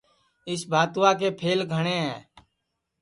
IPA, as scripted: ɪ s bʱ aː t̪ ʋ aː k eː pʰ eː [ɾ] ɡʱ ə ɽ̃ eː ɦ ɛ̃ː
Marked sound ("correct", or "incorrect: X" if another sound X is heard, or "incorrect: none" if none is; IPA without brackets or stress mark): incorrect: l